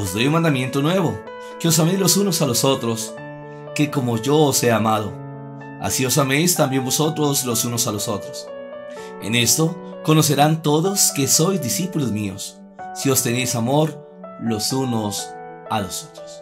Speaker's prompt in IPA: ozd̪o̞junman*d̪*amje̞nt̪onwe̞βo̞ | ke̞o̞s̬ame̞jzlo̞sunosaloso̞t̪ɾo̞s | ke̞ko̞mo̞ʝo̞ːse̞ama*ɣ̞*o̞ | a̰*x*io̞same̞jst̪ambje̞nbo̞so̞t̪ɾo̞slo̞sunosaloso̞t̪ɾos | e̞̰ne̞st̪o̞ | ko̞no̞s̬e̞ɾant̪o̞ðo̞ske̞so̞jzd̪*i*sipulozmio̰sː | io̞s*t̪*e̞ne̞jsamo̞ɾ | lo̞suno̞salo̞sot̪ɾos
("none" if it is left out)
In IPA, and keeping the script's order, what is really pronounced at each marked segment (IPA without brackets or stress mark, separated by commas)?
d̪, ð̞, s, i, t̪